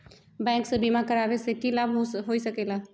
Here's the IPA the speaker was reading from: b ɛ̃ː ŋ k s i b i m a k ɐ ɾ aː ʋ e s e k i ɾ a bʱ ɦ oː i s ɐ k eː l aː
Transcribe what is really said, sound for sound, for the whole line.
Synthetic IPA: b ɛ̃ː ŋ k s e b i m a k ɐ ɾ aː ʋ e s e k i l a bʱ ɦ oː i s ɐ k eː l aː